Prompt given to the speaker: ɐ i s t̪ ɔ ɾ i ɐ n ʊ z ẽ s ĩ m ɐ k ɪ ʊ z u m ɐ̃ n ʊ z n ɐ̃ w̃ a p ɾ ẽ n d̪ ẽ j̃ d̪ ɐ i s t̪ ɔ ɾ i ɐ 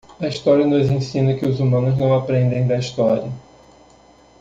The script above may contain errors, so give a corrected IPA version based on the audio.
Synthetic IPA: ɐ i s t̪ ɔ ɾ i ɐ n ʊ z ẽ s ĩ n ɐ k ɪ ʊ z u m ɐ̃ n ʊ z n ɐ̃ w̃ a p ɾ ẽ n d̪ ẽ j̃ d̪ ɐ i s t̪ ɔ ɾ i ɐ